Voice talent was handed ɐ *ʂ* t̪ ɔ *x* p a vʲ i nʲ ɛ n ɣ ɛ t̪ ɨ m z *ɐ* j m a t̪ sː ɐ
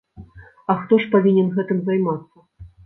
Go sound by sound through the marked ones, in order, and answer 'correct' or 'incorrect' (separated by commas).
incorrect, incorrect, incorrect